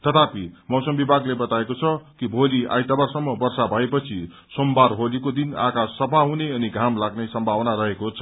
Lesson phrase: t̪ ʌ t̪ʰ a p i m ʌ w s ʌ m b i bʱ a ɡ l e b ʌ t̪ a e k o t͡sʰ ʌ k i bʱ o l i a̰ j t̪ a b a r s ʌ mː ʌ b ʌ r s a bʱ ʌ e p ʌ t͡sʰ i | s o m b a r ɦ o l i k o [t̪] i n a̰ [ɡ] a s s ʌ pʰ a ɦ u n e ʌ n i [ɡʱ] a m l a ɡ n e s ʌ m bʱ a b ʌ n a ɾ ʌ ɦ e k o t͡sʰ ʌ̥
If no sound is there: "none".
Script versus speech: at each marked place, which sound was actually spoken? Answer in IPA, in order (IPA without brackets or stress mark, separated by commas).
d̪, k, ɡʱ